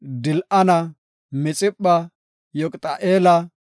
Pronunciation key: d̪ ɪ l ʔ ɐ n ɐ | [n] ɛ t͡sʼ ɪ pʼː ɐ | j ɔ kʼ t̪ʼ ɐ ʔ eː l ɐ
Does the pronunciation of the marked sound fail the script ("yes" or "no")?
yes